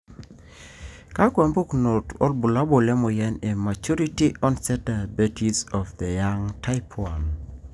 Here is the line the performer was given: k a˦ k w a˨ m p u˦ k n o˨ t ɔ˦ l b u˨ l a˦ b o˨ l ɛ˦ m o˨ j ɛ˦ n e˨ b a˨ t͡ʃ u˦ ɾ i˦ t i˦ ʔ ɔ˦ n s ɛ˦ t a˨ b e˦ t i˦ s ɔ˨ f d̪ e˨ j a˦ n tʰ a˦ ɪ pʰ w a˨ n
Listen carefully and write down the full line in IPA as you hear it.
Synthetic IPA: k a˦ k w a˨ m b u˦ k n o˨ t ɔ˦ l b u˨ l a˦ b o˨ l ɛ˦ m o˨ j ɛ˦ n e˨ m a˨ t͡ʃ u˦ ɾ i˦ t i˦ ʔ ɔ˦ n s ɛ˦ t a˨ b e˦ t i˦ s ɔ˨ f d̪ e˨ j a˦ ŋ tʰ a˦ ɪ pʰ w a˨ n